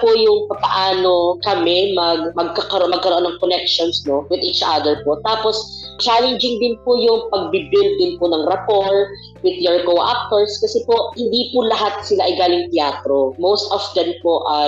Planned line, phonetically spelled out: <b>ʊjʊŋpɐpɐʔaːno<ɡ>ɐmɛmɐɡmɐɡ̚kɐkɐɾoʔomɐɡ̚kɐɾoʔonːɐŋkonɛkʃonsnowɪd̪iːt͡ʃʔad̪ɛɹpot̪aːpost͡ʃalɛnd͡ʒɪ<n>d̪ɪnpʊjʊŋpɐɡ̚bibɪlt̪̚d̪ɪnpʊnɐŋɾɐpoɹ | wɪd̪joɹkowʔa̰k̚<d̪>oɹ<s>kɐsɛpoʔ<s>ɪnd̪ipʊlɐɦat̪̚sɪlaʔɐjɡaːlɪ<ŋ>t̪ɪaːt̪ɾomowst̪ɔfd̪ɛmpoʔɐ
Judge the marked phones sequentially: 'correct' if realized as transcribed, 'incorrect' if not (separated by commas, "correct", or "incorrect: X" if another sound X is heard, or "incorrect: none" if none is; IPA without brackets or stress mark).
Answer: incorrect: p, incorrect: k, incorrect: ŋ, incorrect: t̪, correct, incorrect: h, correct